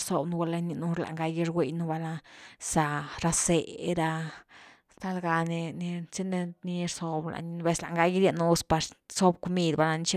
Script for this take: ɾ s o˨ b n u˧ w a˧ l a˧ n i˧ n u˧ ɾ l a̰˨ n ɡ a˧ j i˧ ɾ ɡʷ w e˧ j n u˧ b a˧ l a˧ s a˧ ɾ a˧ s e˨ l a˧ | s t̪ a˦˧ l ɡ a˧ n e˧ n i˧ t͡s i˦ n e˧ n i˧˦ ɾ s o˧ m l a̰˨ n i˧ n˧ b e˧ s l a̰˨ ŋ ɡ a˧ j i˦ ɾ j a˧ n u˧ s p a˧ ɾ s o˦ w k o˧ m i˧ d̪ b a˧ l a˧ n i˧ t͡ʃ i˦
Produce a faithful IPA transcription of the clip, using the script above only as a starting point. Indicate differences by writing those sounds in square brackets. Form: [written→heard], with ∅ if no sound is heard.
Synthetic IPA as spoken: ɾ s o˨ b n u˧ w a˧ l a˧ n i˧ n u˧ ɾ l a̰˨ [n→ŋ] ɡ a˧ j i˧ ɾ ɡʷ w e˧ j n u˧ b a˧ l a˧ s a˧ ɾ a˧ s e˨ [l→ɾ] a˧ | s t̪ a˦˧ l ɡ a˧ n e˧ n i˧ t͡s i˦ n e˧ n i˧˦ ɾ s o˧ [m→b] l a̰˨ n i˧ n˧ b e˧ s l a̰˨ ŋ ɡ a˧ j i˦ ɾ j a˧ n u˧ s p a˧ ɾ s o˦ [w→b] k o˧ m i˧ d̪ b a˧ l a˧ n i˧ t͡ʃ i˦